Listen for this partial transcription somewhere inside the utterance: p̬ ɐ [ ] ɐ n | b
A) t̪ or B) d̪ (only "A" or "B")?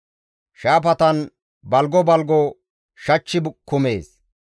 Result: A